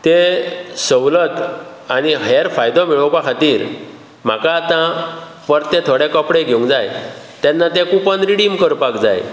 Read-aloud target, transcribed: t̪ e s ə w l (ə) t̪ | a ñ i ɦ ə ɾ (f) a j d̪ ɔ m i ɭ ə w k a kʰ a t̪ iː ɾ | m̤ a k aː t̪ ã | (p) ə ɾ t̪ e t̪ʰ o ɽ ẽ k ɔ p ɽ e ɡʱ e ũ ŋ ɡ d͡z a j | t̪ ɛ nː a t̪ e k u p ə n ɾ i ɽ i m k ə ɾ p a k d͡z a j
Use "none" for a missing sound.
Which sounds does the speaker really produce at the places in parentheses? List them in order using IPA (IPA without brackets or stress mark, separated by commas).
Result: ə, f, p